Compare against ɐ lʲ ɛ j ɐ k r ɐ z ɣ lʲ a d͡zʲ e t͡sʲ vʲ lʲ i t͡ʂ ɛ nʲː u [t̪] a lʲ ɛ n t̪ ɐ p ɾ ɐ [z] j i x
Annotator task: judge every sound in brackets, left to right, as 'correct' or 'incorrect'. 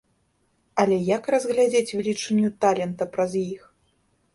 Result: correct, correct

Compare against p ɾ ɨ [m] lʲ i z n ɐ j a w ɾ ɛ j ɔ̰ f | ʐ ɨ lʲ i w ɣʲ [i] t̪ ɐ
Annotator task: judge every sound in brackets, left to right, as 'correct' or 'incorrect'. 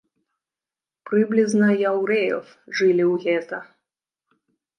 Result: incorrect: b, incorrect: ɛ

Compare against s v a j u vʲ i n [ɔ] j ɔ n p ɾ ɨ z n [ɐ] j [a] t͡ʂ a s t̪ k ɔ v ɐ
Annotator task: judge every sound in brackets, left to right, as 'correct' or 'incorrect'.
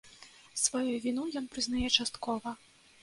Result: incorrect: u, incorrect: a, incorrect: ɛ

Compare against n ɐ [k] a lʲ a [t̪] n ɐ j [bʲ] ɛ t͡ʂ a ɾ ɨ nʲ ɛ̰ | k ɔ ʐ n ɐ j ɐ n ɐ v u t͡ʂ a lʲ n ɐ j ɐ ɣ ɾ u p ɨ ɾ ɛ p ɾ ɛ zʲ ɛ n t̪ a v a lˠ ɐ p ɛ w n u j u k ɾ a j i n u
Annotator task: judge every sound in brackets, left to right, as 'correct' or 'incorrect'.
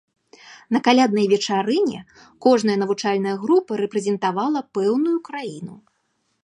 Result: correct, incorrect: d̪, incorrect: vʲ

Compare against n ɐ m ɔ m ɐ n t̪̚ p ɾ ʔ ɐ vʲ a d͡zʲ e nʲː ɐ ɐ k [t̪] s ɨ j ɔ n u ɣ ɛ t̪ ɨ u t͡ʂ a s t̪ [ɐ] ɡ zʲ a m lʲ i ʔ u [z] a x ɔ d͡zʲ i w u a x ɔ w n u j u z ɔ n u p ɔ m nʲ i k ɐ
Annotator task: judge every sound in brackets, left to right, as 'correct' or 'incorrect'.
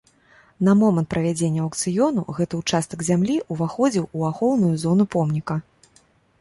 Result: correct, correct, incorrect: v

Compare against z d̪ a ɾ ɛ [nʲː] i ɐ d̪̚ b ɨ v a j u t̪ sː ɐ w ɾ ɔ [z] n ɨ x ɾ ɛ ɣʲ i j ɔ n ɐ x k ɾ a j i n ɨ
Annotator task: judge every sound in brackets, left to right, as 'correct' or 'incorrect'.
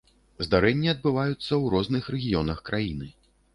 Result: correct, correct

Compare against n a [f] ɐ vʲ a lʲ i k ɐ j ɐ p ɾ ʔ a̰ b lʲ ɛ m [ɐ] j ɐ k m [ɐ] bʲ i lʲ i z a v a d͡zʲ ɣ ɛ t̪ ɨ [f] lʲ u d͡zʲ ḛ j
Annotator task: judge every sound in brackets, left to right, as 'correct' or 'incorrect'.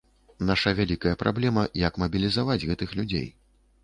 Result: incorrect: ʂ, correct, correct, incorrect: x

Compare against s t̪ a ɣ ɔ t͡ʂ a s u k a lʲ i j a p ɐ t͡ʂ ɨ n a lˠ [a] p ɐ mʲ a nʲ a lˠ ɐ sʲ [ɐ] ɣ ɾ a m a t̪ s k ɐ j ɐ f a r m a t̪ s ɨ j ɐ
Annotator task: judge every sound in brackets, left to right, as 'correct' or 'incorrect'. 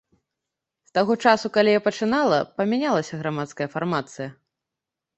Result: incorrect: ɐ, correct

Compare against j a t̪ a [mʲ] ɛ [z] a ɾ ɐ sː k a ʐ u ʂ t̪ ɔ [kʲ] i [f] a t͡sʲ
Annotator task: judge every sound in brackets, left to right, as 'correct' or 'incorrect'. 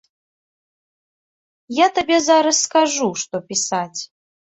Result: incorrect: bʲ, correct, incorrect: pʲ, incorrect: s

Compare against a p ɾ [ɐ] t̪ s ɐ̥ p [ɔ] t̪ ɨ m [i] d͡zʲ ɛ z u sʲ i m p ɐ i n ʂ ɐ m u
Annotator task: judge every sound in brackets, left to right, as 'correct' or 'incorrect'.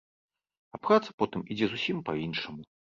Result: incorrect: a, correct, correct

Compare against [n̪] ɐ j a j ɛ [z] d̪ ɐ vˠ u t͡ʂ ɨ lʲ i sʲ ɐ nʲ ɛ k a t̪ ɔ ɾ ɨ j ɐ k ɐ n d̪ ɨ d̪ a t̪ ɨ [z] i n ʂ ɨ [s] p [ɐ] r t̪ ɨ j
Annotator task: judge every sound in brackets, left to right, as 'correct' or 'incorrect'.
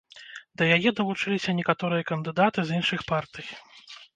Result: incorrect: d̪, incorrect: none, correct, incorrect: x, incorrect: a

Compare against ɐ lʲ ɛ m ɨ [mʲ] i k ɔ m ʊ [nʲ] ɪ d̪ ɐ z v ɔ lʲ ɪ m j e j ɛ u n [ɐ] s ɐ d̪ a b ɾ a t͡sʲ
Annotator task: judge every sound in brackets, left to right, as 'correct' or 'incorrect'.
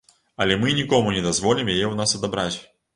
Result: incorrect: nʲ, correct, incorrect: a

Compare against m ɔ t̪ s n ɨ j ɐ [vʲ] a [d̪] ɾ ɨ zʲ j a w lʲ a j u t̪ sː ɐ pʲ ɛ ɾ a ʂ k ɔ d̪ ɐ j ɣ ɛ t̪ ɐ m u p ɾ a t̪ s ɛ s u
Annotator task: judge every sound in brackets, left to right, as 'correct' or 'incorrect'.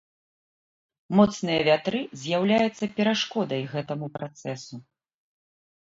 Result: correct, incorrect: t̪

